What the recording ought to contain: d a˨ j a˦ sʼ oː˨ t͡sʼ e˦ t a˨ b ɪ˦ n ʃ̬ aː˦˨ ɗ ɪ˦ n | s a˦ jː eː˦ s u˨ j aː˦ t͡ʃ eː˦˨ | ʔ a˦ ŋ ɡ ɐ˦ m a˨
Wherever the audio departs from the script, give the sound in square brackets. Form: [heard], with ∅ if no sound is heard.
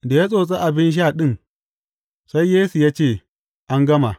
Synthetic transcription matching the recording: d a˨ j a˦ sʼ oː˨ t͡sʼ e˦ [ʔ] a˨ b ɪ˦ n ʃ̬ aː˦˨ ɗ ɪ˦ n | s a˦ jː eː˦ s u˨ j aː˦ t͡ʃ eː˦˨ | ʔ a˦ ŋ ɡ ɐ˦ m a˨